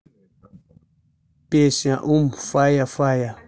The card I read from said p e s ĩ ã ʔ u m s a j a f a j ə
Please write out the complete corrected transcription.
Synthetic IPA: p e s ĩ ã ʔ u m f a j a f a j a